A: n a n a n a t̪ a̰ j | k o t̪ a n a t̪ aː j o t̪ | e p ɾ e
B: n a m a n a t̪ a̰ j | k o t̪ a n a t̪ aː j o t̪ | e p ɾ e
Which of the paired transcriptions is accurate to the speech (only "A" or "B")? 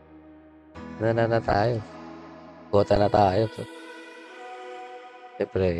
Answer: A